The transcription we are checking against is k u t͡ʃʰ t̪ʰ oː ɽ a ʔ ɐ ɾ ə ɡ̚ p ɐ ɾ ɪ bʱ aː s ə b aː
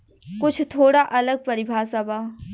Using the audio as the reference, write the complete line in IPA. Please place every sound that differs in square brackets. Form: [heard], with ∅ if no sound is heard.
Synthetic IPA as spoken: k [ʊ] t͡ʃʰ t̪ʰ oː ɽ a ʔ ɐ [l] ə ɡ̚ p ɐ ɾ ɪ bʱ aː s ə b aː